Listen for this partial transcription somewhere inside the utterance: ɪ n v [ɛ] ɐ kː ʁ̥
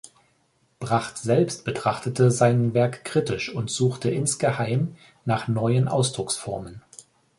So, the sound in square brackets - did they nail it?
yes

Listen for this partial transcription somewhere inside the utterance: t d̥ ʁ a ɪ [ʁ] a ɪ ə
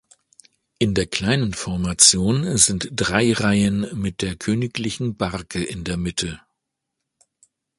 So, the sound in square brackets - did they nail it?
yes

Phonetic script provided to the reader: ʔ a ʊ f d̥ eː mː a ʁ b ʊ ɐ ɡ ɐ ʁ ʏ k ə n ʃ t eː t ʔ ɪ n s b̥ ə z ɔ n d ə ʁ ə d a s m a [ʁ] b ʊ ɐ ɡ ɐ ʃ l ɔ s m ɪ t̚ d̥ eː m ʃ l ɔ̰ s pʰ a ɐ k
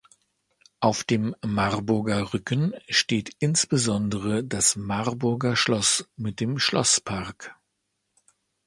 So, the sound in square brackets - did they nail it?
yes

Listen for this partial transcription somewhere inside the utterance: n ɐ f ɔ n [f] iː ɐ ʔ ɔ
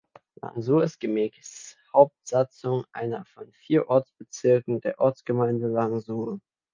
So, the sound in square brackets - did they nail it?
yes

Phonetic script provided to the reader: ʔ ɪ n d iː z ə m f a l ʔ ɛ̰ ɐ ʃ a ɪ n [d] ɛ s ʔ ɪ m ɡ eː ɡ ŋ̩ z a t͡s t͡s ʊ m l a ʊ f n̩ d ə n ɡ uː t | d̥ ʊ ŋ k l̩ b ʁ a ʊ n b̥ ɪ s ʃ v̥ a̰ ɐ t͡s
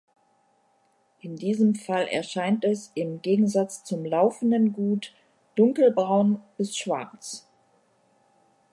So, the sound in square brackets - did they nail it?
no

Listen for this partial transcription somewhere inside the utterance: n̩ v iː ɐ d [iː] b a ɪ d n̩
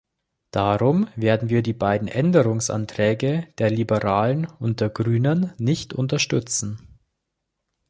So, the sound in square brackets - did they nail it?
yes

